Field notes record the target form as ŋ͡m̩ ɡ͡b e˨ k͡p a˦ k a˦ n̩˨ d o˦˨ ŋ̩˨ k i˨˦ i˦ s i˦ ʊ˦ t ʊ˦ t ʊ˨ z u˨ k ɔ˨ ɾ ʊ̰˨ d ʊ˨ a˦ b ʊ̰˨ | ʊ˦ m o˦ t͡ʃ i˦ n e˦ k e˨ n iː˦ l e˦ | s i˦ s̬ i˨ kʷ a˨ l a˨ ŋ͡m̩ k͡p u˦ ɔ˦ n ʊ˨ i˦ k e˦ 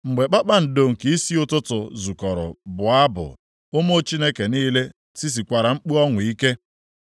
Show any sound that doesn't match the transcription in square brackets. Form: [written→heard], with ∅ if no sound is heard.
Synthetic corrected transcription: ŋ͡m̩ ɡ͡b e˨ k͡p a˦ [k→k͡p] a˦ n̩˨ d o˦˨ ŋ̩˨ k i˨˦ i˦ s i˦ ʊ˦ t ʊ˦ t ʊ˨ z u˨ k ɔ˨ ɾ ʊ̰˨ [d→b] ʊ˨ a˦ b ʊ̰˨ | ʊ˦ m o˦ t͡ʃ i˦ n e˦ k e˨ n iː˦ l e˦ | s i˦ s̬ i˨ kʷ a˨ [l→ɾ] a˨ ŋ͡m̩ k͡p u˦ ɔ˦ [n→ŋ] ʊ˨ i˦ k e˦